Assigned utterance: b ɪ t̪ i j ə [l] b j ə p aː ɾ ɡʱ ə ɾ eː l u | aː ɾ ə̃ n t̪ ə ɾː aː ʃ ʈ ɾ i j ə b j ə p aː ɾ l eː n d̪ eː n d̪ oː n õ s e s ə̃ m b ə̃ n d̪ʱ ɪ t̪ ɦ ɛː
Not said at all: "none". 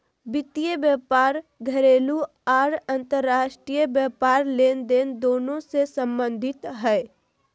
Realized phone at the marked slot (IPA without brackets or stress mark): none